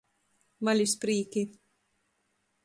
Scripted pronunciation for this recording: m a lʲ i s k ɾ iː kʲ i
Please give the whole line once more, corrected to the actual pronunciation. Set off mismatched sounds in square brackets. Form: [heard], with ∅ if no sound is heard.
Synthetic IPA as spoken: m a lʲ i s [p] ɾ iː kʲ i